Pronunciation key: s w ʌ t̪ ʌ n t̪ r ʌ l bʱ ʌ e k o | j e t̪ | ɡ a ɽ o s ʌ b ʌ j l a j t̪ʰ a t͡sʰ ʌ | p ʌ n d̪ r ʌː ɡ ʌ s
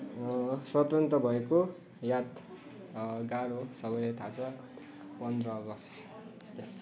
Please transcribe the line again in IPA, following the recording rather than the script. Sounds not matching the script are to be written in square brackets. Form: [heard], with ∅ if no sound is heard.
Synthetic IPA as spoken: s w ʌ t̪ ʌ n t̪ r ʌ [∅] bʱ ʌ e k o | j [a] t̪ | ɡ a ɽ o s ʌ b ʌ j l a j t̪ʰ a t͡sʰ ʌ | p ʌ n d̪ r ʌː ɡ ʌ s